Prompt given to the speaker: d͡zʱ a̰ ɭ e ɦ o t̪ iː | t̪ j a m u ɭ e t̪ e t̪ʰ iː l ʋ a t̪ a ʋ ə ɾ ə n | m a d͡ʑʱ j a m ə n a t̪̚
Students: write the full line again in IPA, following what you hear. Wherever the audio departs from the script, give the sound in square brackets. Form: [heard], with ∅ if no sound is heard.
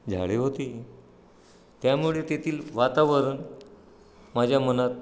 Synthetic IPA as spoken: d͡zʱ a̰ ɭ e ɦ o t̪ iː | t̪ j a m u ɭ e t̪ e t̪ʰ iː l ʋ a t̪ a ʋ ə ɾ ə n | m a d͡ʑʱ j a m ə n a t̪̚